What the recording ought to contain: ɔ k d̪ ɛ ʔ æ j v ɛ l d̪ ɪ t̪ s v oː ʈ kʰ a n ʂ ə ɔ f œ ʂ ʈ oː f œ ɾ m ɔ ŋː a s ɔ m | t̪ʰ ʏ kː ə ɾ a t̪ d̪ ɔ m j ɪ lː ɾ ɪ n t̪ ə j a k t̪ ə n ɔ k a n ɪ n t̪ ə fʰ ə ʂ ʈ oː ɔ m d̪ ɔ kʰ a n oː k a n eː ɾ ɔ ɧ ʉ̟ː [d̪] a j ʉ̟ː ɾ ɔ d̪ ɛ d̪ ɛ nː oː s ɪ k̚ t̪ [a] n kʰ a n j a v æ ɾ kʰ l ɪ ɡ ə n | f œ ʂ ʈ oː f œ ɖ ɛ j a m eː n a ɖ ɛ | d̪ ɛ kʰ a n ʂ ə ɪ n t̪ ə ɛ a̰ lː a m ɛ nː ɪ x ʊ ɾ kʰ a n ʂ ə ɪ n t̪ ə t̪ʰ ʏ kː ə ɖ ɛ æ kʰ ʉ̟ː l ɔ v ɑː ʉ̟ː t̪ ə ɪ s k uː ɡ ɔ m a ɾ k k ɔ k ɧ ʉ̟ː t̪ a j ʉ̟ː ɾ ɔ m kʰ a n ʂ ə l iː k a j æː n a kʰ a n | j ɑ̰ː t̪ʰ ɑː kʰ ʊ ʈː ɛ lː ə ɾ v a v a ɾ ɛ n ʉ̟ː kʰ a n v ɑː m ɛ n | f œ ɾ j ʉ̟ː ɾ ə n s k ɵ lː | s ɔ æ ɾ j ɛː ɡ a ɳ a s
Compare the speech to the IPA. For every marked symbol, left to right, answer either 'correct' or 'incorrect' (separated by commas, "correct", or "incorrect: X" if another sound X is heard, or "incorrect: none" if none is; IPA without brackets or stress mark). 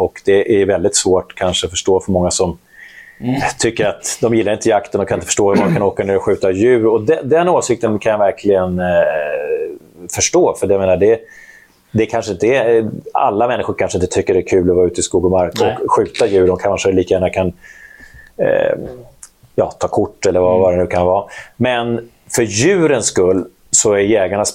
incorrect: t̪, incorrect: ə